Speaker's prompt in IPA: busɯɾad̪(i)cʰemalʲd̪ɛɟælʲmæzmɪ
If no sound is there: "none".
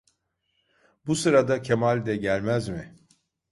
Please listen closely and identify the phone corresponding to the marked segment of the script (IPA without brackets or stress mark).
a